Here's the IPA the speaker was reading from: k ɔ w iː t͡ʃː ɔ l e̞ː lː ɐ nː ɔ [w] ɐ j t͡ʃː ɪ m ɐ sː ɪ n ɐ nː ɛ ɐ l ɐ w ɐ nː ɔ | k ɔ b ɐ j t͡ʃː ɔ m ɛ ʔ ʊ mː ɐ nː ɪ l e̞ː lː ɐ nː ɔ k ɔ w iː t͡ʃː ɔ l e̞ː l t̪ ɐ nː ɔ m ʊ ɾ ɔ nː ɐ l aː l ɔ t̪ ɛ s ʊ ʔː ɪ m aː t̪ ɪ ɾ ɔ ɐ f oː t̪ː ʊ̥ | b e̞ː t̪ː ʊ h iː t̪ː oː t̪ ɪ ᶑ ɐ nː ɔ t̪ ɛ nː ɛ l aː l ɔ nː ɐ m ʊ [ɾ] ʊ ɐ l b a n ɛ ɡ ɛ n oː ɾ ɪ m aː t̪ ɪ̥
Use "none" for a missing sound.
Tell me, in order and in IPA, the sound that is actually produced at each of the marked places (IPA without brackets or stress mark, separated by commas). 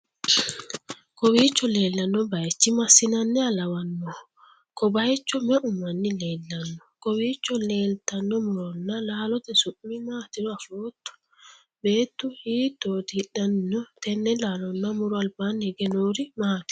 b, ɾ